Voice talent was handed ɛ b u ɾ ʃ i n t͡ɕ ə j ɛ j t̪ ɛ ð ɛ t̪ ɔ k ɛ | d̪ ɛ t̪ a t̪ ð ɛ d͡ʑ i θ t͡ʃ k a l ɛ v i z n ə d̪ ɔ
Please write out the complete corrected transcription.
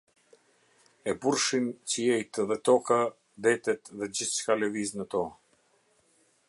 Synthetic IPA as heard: ɛ b u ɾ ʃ i n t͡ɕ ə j ɛ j t̪ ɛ ð ɛ t̪ ɔ k a | d̪ ɛ t̪ ɛ t̪ ð ɛ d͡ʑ i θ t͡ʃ k a l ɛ v i z n ə t̪ ɔ